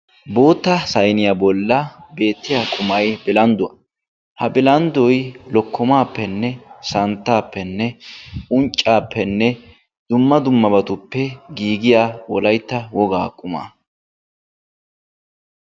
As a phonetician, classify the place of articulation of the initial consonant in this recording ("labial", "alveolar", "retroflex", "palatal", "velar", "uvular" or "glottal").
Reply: labial